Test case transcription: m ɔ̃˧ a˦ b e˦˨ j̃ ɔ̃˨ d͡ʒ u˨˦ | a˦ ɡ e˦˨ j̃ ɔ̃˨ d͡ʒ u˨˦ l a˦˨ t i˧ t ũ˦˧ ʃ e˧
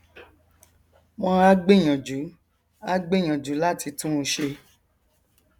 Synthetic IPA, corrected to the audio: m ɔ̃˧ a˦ ɡ͡b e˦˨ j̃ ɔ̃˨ d͡ʒ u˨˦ | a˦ ɡ͡b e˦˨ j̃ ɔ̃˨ d͡ʒ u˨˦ l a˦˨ t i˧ t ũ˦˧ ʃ e˧